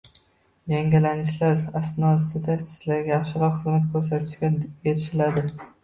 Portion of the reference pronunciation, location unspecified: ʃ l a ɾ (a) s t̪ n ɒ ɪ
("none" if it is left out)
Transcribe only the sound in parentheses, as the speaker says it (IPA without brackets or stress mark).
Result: a